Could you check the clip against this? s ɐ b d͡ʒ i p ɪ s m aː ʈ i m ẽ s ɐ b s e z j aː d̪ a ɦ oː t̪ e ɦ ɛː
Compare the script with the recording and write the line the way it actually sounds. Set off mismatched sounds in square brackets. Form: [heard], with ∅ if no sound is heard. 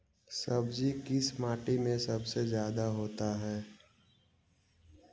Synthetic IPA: s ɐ b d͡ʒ i [k] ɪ s m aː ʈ i m ẽ s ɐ b s e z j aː d̪ a ɦ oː t̪ [a] ɦ ɛː